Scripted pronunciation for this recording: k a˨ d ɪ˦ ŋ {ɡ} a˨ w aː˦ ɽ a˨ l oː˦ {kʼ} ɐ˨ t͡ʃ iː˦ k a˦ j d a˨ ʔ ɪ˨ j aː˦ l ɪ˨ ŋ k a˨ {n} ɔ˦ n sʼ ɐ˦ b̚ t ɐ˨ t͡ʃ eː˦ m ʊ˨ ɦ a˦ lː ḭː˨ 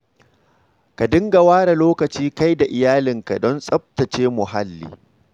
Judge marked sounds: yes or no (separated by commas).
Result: yes, no, no